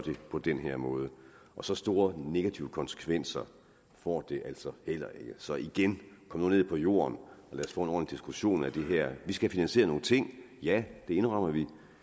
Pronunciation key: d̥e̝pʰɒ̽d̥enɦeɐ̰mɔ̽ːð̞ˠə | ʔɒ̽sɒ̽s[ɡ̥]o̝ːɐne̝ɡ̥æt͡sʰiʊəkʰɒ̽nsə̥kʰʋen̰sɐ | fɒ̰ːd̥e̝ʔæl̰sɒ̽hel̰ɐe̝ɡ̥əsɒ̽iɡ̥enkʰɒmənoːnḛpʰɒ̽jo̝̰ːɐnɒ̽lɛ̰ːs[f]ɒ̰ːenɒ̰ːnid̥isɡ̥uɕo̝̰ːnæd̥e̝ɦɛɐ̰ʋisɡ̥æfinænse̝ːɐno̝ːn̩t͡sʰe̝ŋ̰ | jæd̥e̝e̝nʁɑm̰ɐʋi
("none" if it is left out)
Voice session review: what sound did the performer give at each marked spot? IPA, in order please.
d̥, f

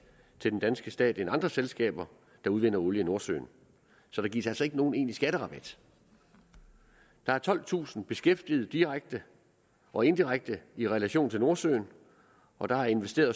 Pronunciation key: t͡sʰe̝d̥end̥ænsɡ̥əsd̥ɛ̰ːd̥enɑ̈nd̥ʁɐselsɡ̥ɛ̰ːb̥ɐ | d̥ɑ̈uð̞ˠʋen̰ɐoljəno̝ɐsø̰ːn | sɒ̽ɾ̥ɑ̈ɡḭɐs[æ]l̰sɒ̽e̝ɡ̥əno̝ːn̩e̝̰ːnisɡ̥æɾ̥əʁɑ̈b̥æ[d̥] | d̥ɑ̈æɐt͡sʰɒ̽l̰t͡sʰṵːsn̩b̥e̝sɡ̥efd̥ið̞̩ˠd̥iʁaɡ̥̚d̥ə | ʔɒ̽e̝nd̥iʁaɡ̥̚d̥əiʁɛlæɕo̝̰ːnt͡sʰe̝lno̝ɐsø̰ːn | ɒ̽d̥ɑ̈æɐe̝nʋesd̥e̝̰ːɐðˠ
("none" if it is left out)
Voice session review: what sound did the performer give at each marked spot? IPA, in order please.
æ, d̥

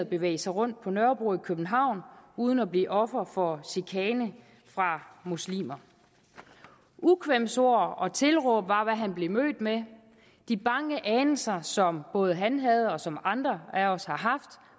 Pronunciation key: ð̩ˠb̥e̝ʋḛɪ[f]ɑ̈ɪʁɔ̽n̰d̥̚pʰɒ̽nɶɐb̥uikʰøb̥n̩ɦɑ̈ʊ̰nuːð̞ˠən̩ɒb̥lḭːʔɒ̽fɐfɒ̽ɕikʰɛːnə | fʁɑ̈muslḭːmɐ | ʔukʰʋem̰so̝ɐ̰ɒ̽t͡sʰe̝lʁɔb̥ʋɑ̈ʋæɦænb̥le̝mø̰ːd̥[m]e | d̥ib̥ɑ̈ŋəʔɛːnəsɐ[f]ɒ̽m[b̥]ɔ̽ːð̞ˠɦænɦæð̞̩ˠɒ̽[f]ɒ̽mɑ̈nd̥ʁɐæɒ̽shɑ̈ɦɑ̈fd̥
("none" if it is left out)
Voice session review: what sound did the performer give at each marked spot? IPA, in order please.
s, m, s, b̥, s

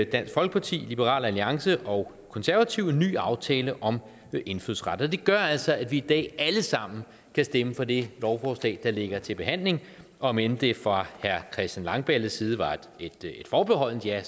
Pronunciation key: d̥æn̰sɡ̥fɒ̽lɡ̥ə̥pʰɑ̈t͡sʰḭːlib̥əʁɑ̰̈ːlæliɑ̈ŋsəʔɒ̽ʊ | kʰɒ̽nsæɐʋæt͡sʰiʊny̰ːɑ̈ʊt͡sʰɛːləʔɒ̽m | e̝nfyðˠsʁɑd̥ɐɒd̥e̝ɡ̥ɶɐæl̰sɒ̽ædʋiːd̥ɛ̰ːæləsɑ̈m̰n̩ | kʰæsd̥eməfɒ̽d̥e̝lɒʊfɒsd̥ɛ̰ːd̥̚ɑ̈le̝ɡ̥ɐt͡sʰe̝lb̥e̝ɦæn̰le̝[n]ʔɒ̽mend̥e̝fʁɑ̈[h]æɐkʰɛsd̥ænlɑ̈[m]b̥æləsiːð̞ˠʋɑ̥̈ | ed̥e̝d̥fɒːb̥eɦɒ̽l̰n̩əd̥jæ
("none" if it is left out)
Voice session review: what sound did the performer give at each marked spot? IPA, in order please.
ŋ, h, ŋ

